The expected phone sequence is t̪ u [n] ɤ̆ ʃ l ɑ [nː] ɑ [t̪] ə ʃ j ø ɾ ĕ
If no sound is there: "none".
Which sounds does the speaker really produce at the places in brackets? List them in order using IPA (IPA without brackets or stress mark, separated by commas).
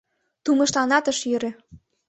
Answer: m, n, t̪